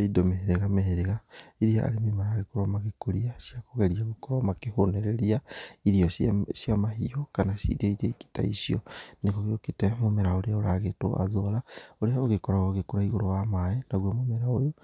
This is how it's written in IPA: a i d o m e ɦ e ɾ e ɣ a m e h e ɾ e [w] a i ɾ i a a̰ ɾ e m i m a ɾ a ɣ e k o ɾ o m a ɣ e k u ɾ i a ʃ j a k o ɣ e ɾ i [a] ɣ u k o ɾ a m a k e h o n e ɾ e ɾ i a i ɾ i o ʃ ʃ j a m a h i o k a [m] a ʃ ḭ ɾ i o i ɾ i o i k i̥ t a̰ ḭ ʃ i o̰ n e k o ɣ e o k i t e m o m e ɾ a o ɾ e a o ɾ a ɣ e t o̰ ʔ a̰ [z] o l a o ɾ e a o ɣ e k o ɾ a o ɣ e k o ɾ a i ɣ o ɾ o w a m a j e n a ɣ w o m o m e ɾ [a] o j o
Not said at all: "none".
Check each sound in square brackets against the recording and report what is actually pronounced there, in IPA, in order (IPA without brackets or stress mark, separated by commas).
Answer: ɣ, a, n, z, a